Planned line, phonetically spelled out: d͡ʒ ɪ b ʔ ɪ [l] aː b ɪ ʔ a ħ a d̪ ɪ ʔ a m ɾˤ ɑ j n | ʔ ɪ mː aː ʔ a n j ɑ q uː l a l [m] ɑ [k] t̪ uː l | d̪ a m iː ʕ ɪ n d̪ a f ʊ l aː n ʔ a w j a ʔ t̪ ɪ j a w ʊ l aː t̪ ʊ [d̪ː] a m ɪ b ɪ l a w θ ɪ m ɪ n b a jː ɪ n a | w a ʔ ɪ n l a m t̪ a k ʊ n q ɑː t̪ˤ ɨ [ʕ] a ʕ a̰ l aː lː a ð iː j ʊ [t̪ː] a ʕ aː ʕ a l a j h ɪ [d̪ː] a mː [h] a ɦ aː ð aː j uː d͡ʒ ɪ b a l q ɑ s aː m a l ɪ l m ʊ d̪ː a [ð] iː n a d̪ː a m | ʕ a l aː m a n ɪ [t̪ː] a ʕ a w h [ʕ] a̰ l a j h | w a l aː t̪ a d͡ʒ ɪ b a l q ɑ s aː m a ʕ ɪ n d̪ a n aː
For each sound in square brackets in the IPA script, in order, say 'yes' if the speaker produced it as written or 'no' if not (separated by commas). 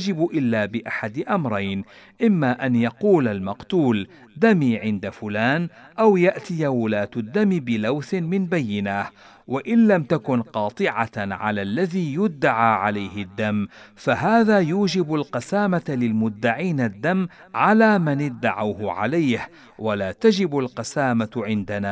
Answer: no, yes, no, yes, yes, no, yes, no, no, no, yes